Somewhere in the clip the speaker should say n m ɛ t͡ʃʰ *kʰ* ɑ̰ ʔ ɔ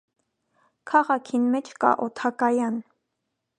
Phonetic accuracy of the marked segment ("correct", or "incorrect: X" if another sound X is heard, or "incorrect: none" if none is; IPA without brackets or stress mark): incorrect: k